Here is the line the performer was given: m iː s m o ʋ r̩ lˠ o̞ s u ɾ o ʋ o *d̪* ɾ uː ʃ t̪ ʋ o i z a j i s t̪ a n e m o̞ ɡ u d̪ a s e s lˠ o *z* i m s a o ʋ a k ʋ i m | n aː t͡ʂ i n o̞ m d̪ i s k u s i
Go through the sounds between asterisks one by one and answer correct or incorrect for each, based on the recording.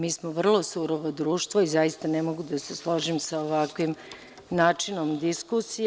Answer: correct, incorrect: ʒ

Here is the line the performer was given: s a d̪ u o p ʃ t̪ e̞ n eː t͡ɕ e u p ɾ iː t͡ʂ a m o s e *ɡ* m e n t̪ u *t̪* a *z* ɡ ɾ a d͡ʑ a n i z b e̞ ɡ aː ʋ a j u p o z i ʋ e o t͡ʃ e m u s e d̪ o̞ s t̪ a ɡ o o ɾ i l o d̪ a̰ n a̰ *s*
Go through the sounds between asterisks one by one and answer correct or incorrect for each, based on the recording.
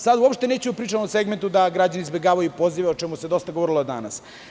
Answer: correct, incorrect: d̪, incorrect: none, correct

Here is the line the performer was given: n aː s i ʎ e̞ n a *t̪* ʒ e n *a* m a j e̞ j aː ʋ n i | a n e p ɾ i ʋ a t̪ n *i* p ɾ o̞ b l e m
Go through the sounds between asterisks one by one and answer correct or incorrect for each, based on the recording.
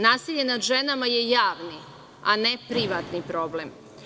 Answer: incorrect: d̪, correct, correct

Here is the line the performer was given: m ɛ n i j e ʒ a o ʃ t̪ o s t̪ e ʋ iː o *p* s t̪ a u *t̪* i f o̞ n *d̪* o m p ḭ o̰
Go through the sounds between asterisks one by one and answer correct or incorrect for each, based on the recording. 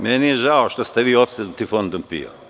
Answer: correct, correct, correct

